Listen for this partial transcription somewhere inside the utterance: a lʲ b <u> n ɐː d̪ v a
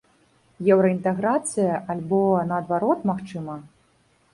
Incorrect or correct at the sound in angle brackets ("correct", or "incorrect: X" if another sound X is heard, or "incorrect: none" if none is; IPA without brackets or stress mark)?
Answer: incorrect: ɔ